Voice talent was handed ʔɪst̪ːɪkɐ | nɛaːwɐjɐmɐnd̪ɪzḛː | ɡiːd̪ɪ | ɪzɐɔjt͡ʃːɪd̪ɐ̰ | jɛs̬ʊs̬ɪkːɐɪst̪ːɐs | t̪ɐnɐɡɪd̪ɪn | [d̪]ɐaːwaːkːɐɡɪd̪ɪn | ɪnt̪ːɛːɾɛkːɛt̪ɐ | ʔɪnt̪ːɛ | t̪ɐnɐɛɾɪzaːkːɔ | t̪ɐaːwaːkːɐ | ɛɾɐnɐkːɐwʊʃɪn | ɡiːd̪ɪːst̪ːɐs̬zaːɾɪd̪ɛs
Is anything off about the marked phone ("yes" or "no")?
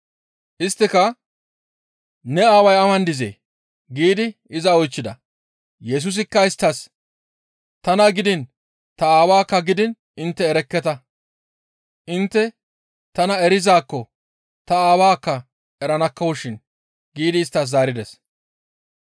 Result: yes